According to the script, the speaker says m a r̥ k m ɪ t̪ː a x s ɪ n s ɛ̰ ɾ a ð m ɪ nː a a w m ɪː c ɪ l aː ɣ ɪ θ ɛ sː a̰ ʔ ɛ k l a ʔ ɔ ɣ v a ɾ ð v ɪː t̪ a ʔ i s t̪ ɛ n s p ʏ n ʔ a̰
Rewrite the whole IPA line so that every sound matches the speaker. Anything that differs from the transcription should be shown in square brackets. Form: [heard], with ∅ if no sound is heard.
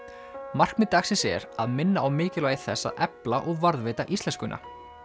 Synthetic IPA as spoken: m a r̥ k m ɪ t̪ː a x s ɪ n s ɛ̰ ɾ a ð m ɪ nː a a w m ɪː c ɪ l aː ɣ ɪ θ ɛ sː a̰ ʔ ɛ [p] l a ʔ ɔ ɣ v a ɾ ð v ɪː t̪ a ʔ i s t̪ ɛ n s [k] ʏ n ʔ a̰